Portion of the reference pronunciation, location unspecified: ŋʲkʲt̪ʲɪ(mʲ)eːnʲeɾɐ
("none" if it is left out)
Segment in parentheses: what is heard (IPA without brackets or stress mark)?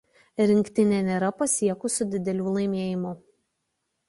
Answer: nʲ